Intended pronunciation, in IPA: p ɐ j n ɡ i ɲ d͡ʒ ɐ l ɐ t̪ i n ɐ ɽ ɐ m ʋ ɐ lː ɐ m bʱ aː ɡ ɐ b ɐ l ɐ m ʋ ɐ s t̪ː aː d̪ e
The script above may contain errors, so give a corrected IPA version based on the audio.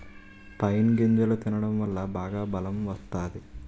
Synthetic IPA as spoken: p ɐ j n ɡ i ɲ d͡ʒ ɐ l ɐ t̪ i n ɐ ɽ ɐ m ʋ ɐ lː ɐ bʱ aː ɡ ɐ b ɐ l ɐ m ʋ ɐ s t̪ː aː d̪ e